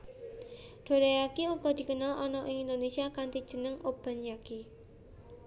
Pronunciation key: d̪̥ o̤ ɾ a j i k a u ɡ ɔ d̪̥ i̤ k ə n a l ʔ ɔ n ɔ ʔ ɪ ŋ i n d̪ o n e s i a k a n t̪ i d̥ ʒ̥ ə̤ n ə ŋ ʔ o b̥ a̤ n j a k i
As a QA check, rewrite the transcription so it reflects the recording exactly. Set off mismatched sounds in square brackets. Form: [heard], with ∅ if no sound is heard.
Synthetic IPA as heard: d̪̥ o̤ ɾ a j [a] k [i] u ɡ ɔ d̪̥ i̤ k ə n a l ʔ ɔ n ɔ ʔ ɪ ŋ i n d̪ o n e s i a k a n t̪ i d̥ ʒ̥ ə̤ n ə ŋ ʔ o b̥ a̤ n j a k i